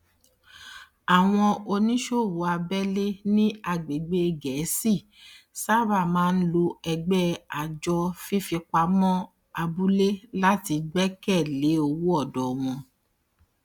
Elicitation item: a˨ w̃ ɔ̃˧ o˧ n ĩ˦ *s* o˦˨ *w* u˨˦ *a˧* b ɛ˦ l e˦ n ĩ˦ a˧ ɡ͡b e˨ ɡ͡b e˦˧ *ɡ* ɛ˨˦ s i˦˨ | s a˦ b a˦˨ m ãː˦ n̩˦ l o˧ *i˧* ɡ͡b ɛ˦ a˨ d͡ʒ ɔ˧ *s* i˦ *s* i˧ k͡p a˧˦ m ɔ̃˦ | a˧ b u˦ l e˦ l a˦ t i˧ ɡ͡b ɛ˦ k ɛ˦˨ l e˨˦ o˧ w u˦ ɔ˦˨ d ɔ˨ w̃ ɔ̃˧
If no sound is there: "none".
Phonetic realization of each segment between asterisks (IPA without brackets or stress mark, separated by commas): ʃ, w, a˧, ɡ, ɛ˧, f, f